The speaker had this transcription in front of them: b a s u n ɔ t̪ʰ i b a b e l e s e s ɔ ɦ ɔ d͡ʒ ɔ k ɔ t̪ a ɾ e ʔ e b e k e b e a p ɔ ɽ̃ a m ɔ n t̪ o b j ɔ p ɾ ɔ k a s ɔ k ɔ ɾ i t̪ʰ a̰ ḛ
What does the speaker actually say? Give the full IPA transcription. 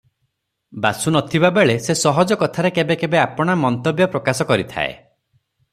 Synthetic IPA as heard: b a s u n ɔ t̪ʰ i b a b e ɭ e s e s ɔ ɦ ɔ d͡ʒ ɔ k ɔ t̪ʰ a ɾ e k e b e k e b e a p ɔ ɽ̃ a m ɔ n t̪ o b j ɔ p ɾ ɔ k a s ɔ k ɔ ɾ i t̪ʰ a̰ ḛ